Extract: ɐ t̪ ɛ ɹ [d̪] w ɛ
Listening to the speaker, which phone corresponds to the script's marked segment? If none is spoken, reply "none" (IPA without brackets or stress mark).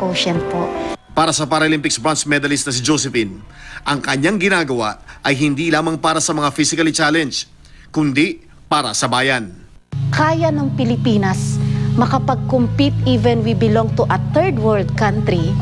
d̪